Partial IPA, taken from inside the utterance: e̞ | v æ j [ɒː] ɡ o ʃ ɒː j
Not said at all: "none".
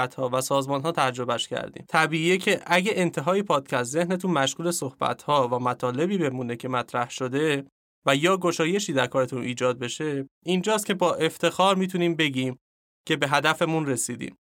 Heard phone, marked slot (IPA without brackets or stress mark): ɒː